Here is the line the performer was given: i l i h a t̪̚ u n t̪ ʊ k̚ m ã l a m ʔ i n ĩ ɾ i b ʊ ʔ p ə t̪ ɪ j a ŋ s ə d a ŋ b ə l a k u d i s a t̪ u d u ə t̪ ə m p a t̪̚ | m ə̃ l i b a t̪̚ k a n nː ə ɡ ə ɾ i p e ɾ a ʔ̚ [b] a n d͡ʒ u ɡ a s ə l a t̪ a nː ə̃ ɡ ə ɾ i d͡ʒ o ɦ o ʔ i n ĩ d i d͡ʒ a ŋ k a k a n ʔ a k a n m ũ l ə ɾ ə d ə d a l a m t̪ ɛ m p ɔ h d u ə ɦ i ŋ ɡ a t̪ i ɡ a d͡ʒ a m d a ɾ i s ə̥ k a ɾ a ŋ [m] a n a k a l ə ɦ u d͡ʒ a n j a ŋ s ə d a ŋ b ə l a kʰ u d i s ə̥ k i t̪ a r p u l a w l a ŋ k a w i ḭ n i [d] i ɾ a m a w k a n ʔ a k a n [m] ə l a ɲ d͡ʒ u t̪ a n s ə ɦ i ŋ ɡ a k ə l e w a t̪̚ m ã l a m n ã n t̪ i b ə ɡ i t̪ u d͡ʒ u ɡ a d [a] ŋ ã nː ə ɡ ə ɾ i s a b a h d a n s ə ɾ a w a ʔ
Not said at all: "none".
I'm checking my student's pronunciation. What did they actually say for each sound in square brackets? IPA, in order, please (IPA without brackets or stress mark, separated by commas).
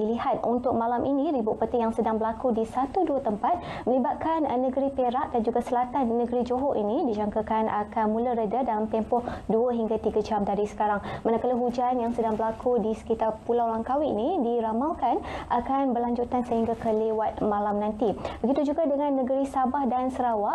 d, m, d, b, ə